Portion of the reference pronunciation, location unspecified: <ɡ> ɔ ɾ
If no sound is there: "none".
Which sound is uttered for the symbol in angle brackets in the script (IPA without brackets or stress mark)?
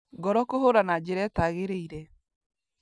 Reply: ɡ